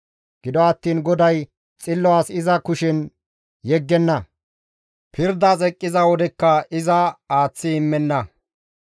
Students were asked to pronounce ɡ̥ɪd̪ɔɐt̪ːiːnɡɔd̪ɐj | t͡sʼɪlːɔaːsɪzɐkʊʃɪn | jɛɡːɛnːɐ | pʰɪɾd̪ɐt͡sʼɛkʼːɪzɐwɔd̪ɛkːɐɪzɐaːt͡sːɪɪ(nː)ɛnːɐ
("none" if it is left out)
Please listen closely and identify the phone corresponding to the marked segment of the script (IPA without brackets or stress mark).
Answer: mː